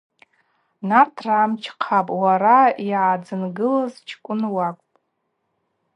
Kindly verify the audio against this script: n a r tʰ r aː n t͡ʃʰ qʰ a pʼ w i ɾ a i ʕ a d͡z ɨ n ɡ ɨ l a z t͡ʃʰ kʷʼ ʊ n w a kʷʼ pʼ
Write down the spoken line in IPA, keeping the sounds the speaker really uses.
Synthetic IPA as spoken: n a r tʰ r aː m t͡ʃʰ qʰ a pʼ w a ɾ a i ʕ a d͡z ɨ n ɡ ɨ l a z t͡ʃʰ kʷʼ ʊ n w a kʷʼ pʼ